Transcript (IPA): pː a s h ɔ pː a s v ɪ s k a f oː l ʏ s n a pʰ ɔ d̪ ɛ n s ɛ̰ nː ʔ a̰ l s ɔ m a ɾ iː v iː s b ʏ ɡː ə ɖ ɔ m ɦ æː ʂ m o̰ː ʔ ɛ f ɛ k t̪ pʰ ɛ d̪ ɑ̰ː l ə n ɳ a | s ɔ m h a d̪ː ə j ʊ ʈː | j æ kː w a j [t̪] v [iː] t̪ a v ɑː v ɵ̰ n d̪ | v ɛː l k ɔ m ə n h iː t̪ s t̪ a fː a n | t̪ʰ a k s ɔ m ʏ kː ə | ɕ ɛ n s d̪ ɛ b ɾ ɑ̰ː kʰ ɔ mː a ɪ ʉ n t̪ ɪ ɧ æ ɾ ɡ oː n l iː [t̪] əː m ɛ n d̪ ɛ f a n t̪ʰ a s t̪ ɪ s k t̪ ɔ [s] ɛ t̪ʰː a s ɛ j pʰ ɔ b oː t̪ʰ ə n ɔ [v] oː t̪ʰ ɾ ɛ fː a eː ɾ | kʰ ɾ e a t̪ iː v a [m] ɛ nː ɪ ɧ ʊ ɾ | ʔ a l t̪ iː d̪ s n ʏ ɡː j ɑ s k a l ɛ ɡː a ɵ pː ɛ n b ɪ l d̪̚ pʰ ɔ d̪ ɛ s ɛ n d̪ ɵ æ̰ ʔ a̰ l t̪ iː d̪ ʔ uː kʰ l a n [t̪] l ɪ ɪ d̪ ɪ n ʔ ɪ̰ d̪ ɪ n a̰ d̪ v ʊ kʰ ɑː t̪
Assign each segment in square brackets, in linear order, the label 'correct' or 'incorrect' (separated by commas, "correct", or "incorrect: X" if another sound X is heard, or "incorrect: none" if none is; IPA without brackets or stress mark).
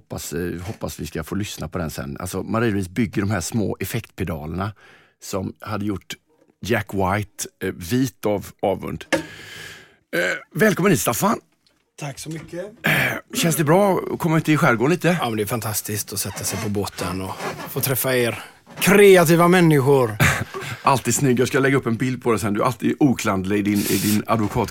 correct, correct, correct, correct, incorrect: f, correct, incorrect: d̪